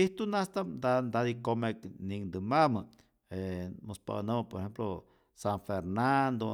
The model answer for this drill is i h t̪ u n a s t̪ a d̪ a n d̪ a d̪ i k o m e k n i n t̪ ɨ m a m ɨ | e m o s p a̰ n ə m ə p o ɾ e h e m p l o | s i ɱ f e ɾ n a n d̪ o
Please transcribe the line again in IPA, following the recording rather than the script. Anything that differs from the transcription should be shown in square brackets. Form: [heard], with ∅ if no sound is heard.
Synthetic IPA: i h t̪ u n a s t̪ a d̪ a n d̪ a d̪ i k o m e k n i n [d̪] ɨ m a m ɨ | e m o s p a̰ n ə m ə p o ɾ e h e m p l o | s [a] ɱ f e ɾ n a n d̪ o